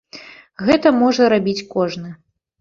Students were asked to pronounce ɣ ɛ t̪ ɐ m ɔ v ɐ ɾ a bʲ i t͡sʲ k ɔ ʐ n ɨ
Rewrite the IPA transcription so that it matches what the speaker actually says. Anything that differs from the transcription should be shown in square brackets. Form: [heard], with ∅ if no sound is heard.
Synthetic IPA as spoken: ɣ ɛ t̪ ɐ m ɔ [ʐ] ɐ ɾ a bʲ i t͡sʲ k ɔ ʐ n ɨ